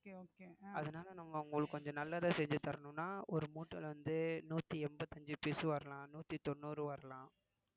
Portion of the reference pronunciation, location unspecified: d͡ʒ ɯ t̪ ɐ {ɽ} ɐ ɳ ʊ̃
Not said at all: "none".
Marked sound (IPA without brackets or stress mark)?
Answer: ɾ